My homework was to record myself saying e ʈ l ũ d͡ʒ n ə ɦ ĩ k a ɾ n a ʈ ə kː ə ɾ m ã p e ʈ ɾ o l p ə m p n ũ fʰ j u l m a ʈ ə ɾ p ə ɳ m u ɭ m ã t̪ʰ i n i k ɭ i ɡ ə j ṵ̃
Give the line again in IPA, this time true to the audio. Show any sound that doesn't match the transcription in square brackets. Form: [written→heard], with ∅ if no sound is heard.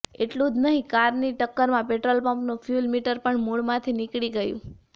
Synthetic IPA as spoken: e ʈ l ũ d͡ʒ n ə ɦ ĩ k a ɾ n [a→i] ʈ ə kː ə ɾ m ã p e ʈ ɾ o l p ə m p n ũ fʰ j u l m [a→i] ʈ ə ɾ p ə ɳ m u ɭ m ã t̪ʰ i n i k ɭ i ɡ ə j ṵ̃